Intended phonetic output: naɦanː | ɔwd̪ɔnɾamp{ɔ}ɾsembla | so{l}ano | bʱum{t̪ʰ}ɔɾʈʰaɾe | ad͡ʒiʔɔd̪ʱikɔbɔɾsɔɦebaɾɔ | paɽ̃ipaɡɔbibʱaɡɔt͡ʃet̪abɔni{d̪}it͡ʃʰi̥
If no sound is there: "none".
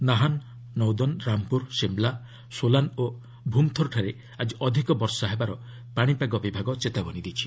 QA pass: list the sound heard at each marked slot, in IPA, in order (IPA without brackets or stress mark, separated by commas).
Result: u, l, t̪ʰ, d̪